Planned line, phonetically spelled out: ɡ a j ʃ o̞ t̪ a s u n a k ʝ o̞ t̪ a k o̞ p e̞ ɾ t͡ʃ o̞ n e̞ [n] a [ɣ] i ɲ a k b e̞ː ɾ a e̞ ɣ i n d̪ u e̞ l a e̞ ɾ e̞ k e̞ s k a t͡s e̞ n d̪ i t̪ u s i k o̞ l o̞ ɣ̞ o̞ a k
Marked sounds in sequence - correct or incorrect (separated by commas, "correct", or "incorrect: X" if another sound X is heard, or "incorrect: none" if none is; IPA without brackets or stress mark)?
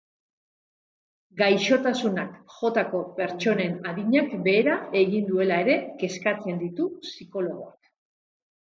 correct, incorrect: ð